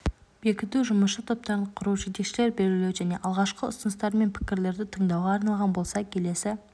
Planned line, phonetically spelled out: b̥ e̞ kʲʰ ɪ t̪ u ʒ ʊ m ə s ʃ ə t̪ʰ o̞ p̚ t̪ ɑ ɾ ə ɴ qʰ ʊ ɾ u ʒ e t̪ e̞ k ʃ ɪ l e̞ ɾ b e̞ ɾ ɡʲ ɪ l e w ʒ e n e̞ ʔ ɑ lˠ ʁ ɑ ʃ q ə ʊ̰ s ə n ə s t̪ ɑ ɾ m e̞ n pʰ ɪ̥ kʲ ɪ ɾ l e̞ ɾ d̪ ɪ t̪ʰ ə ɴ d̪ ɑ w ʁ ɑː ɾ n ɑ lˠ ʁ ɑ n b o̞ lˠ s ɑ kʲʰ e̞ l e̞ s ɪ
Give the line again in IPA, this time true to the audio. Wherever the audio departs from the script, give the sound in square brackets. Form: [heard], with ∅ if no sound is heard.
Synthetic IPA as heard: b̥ e̞ [kʲ] ɪ t̪ u ʒ ʊ m ə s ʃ ə t̪ʰ o̞ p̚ t̪ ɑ ɾ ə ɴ qʰ ʊ ɾ u ʒ e t̪ e̞ k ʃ ɪ l e̞ ɾ b e̞ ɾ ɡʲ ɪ l e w ʒ [æ] n e̞ ʔ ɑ lˠ ʁ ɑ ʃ q ə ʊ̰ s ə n ə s t̪ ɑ ɾ m e̞ n pʰ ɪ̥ kʲ ɪ ɾ l e̞ ɾ d̪ ɪ t̪ʰ ə ɴ d̪ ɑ w ʁ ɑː ɾ n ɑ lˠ ʁ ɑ n b o̞ lˠ s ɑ kʲʰ e̞ l e̞ s ɪ